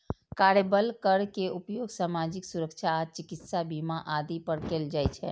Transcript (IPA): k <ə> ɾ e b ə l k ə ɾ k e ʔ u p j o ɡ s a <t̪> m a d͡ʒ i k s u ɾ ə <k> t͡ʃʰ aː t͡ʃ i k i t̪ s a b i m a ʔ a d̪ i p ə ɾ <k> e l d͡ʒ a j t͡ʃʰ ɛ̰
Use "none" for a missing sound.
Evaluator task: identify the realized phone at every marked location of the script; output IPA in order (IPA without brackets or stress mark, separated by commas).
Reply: a, none, k, k